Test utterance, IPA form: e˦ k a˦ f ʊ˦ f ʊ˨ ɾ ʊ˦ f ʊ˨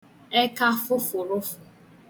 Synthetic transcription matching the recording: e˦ k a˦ f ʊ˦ f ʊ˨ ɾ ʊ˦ f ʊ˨